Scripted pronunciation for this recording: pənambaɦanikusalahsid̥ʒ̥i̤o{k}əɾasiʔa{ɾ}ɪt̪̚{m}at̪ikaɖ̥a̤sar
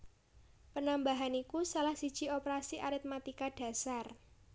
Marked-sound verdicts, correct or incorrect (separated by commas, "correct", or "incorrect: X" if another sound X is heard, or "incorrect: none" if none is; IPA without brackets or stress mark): incorrect: p, correct, correct